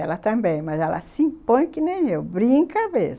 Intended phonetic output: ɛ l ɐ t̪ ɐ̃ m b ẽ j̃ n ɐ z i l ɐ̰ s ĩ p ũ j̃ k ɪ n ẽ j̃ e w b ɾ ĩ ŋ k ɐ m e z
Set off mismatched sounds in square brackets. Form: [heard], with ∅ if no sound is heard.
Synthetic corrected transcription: ɛ l ɐ t̪ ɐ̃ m b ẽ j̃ [m] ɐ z [ɛ] l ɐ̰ s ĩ p [õ] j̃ k ɪ n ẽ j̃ e w b ɾ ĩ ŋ k ɐ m e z

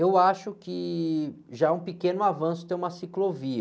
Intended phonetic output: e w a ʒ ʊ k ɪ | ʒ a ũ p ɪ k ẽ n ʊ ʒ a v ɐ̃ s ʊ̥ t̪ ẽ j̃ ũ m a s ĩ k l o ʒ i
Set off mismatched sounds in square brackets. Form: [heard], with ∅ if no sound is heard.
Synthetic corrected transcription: e w a [ʃ] ʊ k ɪ | ʒ a ũ p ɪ k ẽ n ʊ [∅] a v ɐ̃ s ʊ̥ t̪ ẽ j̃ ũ m [ɐ] s [i] k l o [v] i

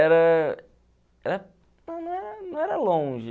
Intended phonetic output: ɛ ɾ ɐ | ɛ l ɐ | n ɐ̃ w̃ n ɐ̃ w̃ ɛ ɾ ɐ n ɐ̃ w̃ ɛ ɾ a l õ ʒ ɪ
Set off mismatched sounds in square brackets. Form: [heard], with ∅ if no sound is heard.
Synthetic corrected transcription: ɛ ɾ ɐ | ɛ [ɾ] ɐ | n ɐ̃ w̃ n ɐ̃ w̃ ɛ ɾ ɐ n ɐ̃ w̃ ɛ ɾ [ɐ] l õ ʒ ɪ

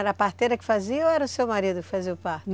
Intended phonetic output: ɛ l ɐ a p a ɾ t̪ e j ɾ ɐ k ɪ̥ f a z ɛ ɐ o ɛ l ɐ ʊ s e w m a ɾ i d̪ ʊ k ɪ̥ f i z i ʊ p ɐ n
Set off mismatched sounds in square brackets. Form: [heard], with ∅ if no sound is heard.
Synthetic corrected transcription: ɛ [ɾ] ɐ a p a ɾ t̪ e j ɾ ɐ k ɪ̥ f a z [i] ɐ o ɛ [ɾ] ɐ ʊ s e w m a ɾ i d̪ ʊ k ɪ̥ f [a] z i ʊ p [a] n

